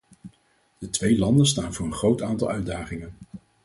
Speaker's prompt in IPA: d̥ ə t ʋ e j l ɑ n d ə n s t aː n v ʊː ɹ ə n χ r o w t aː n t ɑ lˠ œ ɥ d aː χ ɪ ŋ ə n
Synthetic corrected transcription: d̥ ə t ʋ e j l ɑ n d ə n s t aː n v ʊː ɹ ə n χ r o w t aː n t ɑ lˠ œ ɥ d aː χ ɪ ŋ ə n